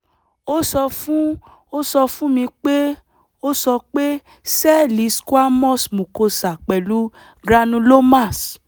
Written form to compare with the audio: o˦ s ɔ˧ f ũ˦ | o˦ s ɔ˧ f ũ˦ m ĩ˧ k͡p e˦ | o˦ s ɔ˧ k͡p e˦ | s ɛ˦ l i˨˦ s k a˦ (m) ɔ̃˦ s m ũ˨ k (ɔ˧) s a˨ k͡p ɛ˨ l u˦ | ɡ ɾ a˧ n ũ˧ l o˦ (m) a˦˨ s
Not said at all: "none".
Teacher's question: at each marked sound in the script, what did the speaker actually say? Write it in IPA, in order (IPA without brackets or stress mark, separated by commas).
m, o˧, m